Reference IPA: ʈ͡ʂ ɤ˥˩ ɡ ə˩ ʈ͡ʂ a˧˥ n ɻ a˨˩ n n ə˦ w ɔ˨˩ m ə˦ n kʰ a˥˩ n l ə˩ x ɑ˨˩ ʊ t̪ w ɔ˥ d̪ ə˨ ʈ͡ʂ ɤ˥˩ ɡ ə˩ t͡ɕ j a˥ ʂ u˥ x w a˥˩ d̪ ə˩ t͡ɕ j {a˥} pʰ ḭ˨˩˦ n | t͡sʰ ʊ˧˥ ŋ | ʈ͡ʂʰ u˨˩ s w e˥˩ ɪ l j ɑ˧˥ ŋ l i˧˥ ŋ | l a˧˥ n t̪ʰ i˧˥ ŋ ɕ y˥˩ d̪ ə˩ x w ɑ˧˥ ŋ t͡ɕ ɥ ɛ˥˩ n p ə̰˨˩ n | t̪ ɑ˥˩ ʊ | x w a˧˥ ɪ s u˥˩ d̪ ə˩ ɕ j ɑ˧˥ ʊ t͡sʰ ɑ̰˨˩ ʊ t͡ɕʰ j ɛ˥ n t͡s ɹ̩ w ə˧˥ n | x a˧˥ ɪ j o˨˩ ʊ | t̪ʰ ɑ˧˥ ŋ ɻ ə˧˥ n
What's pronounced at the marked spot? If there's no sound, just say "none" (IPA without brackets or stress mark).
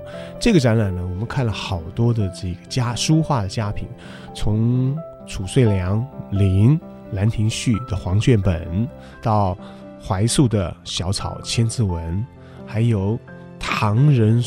a˥